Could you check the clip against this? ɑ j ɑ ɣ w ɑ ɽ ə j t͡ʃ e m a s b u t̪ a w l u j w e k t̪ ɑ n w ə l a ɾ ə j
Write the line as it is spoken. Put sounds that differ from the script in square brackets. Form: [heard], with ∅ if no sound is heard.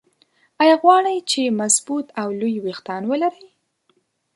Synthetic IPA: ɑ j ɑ ɣ w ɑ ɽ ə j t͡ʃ e m a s b u t̪ a w l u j w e [x] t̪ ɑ n w ə l a ɾ ə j